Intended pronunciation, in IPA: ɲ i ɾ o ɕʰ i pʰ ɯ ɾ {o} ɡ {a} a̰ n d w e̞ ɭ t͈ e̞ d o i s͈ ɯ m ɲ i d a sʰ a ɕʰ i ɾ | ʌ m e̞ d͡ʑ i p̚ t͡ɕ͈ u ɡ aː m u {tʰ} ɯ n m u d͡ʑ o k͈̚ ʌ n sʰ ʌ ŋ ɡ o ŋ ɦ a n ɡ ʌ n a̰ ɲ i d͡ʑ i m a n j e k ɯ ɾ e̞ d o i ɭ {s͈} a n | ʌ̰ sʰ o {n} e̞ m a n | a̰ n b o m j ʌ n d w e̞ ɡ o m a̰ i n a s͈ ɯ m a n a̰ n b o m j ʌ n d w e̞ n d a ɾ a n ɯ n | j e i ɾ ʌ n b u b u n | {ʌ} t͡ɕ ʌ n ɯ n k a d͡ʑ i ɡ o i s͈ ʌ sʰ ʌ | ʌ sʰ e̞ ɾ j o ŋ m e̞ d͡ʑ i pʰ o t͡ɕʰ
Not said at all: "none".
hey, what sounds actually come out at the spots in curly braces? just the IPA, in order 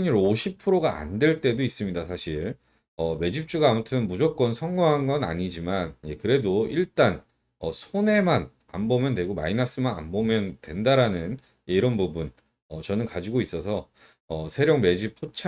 o, a, tʰ, t͈, n, ʌ

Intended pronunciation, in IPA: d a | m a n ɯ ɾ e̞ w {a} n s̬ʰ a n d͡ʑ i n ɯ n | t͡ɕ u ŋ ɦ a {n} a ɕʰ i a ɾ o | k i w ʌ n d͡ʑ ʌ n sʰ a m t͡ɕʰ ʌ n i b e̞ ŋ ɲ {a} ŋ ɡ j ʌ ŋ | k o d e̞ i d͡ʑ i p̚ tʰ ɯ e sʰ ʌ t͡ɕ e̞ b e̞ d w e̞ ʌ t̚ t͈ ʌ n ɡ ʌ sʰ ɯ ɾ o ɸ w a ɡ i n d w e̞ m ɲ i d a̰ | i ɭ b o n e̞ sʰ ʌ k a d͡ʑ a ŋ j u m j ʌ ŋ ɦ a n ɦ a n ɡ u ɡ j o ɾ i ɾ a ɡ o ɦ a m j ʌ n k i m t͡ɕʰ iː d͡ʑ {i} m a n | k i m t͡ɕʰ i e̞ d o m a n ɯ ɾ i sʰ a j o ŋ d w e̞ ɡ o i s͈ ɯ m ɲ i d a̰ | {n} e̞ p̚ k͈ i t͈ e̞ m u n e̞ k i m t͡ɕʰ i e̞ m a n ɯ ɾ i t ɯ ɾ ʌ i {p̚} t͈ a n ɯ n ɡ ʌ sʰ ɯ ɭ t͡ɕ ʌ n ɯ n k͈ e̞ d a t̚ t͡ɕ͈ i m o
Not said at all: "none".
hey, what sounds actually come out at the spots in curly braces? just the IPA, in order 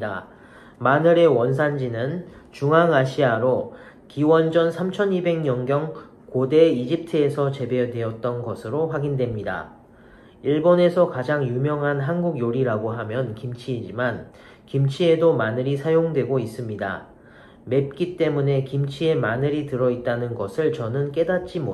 ʌ, ŋ, ʌ, i, m, t̚

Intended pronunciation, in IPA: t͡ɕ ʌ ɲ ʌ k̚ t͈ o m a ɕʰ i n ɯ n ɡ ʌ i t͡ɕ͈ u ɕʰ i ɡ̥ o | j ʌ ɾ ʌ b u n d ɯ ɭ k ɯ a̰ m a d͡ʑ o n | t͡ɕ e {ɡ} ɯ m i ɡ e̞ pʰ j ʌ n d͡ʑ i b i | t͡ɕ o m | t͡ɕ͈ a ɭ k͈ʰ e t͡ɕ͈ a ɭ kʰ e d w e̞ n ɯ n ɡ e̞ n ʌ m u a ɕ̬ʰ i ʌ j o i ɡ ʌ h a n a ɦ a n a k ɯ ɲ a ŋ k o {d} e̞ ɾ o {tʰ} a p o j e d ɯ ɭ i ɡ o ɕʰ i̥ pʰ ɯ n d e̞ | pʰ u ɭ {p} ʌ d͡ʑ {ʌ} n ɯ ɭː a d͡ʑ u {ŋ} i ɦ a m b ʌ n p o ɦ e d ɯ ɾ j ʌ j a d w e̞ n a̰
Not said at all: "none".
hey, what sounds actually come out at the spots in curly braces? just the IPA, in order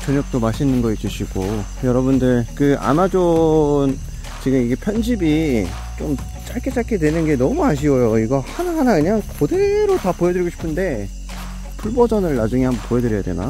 ɡ, d, t, b, ʌ, ŋ

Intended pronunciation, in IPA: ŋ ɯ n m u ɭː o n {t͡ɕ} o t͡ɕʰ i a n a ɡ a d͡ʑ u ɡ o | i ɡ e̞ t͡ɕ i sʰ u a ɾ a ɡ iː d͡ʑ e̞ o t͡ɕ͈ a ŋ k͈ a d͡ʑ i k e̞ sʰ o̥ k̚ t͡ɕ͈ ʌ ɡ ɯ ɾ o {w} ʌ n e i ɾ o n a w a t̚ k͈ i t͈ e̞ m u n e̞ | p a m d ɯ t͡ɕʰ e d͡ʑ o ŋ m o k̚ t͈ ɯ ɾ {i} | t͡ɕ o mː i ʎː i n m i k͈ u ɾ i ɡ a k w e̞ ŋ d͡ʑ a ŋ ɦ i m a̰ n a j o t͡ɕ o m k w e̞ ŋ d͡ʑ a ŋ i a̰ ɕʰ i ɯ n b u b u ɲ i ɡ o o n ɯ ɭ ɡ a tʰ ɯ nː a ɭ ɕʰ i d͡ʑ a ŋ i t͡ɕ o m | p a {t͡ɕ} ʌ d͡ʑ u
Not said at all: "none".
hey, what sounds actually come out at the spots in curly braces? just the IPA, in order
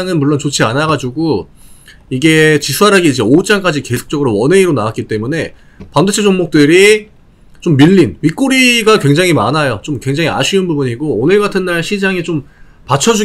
t͡ɕ, w, i, t͡ɕʰ

